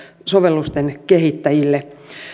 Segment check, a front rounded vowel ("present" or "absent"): absent